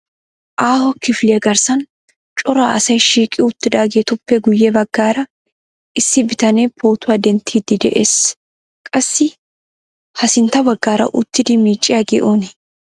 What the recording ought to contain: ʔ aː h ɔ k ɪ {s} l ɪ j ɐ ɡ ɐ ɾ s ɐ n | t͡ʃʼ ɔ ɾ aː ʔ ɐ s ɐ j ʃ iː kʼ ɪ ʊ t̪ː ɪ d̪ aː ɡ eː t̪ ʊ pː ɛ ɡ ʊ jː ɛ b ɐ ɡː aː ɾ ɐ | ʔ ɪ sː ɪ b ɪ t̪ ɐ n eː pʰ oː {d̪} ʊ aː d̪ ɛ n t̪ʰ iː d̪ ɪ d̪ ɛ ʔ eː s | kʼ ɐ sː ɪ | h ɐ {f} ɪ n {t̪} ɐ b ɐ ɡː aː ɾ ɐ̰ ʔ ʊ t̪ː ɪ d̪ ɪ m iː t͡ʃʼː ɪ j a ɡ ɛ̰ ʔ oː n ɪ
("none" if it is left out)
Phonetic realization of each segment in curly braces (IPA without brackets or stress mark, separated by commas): f, t̪, s, t̪